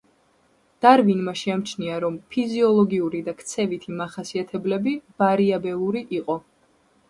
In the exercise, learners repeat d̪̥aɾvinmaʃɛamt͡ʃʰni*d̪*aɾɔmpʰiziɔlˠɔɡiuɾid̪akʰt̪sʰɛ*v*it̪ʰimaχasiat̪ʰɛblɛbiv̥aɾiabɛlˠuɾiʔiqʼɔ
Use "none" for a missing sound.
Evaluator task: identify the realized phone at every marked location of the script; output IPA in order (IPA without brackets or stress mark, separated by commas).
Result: none, v